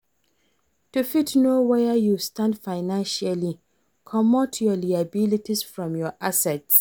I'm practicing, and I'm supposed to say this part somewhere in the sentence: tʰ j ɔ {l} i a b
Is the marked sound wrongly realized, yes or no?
no